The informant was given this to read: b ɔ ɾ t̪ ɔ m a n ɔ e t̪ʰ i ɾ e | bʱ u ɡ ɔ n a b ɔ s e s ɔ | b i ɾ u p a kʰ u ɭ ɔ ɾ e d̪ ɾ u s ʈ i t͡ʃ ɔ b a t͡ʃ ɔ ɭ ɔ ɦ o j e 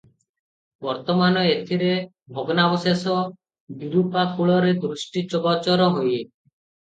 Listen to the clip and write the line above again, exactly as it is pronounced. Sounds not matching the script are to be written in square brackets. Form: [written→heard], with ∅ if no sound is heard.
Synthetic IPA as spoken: b ɔ ɾ t̪ ɔ m a n ɔ e t̪ʰ i ɾ e | bʱ [u→ɔ] ɡ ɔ n a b ɔ s e s ɔ | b i ɾ u p a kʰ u ɭ ɔ ɾ e d̪ ɾ u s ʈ i t͡ʃ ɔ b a t͡ʃ ɔ [ɭ→ɾ] ɔ ɦ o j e